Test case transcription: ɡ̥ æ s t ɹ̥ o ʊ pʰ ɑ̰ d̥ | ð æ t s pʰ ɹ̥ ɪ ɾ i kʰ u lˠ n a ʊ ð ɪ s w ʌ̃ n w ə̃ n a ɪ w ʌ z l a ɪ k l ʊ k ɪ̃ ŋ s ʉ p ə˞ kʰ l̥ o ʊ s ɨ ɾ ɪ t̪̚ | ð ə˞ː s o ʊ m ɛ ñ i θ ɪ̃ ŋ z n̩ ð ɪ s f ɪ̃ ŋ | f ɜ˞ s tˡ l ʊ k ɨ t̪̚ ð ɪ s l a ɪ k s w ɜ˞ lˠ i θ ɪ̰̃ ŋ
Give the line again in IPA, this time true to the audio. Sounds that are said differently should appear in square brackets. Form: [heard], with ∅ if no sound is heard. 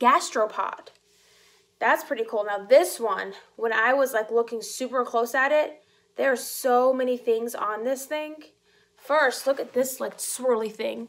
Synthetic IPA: ɡ̥ æ s t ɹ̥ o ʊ pʰ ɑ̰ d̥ | ð æ t s pʰ ɹ̥ ɪ ɾ i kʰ u lˠ n a ʊ ð ɪ s w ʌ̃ n w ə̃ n a ɪ w ʌ z l a ɪ k l ʊ k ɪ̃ ŋ s ʉ p ə˞ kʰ l̥ o ʊ s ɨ ɾ ɪ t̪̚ | ð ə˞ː s o ʊ m ɛ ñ i θ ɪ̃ ŋ z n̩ ð ɪ s [θ] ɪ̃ ŋ | f ɜ˞ s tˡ l ʊ k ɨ t̪̚ ð ɪ s l a ɪ k s w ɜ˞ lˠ i θ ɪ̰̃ ŋ